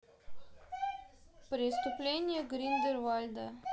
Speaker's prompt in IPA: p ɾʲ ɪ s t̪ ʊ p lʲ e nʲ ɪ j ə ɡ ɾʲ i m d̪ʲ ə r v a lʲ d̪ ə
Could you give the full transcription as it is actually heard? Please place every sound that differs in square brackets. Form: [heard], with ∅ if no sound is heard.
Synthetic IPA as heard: p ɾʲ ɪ s t̪ ʊ p lʲ e nʲ ɪ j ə ɡ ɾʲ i [n] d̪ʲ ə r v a lʲ d̪ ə